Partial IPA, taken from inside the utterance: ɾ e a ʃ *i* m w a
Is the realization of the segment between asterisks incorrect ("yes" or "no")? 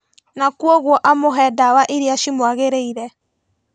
no